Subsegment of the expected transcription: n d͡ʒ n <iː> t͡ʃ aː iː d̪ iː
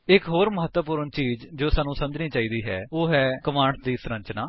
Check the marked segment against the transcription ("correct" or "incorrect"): correct